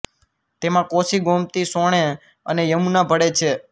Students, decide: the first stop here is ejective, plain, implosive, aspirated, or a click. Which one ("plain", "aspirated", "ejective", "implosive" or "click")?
plain